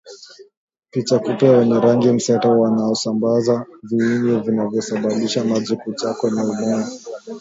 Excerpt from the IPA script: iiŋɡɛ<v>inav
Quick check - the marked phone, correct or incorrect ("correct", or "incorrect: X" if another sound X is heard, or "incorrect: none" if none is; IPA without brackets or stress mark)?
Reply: correct